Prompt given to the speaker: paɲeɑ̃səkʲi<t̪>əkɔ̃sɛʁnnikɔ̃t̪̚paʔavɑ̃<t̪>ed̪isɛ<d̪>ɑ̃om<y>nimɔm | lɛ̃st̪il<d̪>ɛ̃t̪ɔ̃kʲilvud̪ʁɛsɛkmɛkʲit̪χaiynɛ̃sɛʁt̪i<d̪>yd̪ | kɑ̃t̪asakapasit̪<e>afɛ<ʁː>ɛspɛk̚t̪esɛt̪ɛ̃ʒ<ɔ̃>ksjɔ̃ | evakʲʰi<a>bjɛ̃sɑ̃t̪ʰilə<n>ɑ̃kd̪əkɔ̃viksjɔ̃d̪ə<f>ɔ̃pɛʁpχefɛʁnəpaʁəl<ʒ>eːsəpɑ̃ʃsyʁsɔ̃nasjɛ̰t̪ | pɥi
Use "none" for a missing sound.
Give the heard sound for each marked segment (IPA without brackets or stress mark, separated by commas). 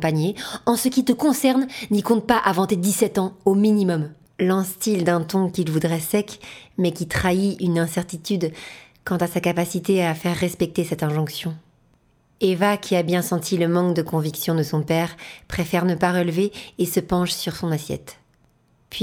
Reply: t̪, t̪, t̪, i, d̪, t̪, e, ʁː, ɔ̃, a, m, s, v